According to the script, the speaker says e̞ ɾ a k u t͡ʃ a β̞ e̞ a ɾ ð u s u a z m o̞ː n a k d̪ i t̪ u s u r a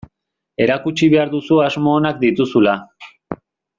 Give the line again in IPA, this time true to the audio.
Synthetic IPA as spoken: e̞ ɾ a k u t͡ʃ i β̞ e̞ a ɾ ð u s u a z m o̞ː n a k d̪ i t̪ u s u l a